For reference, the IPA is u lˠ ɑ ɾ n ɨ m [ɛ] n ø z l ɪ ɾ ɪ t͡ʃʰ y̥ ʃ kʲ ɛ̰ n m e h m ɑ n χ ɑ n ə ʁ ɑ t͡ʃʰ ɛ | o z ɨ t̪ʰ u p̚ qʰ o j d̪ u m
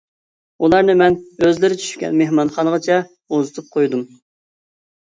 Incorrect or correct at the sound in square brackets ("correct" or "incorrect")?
correct